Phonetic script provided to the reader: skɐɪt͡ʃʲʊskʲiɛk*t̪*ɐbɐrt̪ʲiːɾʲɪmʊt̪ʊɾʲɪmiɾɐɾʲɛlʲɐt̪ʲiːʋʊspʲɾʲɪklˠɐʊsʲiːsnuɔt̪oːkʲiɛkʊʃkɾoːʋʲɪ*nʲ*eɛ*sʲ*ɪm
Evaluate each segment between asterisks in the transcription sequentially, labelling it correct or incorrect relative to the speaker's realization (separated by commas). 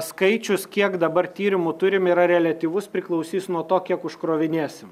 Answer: incorrect, correct, correct